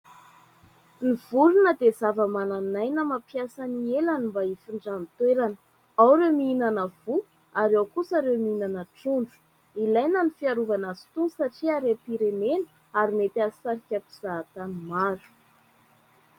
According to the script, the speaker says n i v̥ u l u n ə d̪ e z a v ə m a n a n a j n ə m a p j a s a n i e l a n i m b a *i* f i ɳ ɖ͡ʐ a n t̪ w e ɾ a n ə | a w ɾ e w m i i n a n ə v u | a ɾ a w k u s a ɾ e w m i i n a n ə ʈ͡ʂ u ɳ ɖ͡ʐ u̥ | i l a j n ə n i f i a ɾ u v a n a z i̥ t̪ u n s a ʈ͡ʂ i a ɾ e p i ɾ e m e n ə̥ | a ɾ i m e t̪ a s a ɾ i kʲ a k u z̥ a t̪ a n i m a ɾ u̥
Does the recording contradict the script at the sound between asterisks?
no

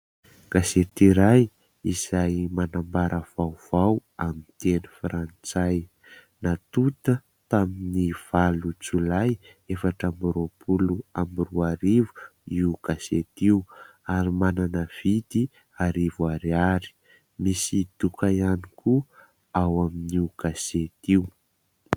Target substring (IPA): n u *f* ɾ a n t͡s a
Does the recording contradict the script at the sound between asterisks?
no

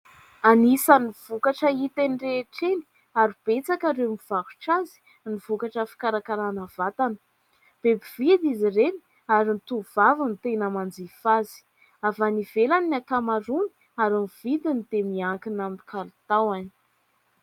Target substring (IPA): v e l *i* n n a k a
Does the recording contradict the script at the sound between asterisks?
yes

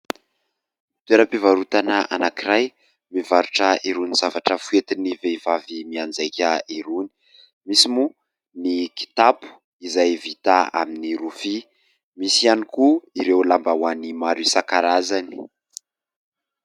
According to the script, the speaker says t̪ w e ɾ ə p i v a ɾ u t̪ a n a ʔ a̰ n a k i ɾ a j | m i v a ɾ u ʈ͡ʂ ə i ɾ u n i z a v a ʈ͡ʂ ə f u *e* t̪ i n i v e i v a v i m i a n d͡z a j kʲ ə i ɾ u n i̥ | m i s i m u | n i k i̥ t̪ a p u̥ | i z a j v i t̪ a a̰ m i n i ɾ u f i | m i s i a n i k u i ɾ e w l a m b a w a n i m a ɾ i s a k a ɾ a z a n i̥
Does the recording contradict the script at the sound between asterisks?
no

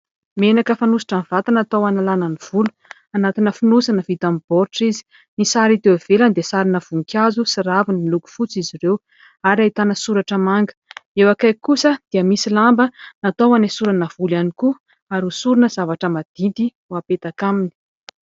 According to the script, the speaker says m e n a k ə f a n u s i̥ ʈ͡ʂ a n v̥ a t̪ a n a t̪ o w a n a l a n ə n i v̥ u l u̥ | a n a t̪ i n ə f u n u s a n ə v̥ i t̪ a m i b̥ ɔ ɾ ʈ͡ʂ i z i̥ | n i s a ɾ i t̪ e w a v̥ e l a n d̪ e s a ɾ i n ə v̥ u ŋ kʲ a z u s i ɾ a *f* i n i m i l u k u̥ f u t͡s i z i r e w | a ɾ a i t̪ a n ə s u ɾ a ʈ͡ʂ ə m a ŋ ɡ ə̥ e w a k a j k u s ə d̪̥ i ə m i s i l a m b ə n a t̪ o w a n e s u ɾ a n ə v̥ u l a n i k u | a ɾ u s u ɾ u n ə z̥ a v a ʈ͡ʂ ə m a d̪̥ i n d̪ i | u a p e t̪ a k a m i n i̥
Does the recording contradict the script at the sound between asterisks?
yes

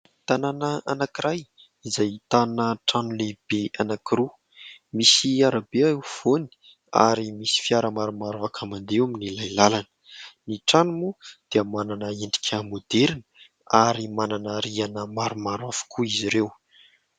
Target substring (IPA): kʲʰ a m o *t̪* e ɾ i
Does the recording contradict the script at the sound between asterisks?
yes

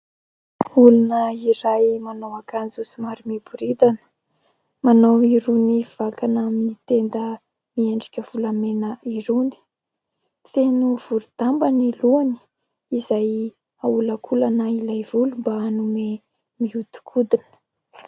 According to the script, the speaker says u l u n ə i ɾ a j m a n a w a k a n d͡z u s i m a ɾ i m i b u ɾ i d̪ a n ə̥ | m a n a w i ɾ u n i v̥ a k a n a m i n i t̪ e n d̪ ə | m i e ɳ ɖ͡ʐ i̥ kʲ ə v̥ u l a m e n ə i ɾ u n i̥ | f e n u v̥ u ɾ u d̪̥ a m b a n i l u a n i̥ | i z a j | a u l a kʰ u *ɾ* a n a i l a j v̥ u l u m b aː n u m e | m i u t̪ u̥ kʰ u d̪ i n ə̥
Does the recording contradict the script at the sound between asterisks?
yes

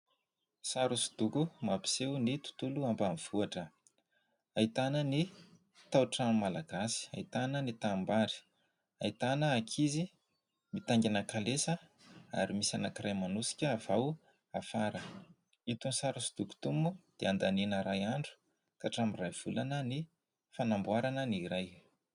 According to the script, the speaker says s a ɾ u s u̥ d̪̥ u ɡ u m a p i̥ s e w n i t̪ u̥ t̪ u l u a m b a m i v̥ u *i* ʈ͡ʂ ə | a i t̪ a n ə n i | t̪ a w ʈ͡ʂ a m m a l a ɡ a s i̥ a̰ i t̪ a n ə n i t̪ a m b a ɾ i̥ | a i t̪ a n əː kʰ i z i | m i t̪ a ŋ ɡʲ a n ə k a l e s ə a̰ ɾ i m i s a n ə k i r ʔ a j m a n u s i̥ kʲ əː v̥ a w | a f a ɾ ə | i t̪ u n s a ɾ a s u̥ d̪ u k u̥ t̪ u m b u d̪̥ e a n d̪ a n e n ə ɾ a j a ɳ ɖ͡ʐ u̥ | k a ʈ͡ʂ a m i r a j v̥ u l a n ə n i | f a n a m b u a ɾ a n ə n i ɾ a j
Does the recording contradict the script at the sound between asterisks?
yes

